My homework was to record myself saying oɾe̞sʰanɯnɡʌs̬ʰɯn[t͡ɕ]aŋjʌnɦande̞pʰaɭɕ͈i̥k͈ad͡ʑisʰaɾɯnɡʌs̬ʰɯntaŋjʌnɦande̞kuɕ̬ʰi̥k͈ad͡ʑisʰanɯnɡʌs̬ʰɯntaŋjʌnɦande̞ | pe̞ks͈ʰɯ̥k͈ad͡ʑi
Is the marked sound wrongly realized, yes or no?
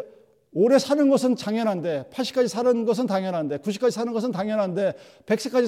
no